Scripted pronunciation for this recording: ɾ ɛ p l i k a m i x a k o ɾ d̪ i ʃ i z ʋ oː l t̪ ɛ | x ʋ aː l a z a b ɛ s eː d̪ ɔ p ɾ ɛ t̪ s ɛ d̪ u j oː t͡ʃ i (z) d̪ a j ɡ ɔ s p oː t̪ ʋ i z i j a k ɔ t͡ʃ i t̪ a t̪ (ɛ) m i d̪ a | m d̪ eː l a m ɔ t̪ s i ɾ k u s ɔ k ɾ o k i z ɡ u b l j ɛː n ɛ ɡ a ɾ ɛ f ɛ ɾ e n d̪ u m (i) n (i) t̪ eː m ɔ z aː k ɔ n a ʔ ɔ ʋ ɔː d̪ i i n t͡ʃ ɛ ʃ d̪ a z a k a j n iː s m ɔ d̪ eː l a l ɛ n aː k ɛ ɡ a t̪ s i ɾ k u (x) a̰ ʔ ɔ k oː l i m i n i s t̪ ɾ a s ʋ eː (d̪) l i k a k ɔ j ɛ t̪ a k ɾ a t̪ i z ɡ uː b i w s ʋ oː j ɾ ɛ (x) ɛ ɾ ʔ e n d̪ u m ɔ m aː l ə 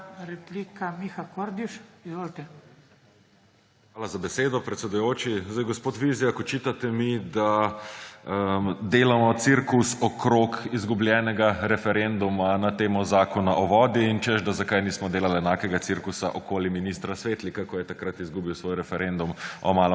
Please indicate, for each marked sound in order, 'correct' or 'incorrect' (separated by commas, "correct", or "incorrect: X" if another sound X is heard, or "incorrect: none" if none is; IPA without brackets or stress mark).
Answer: correct, correct, incorrect: a, incorrect: a, incorrect: s, incorrect: t̪, incorrect: f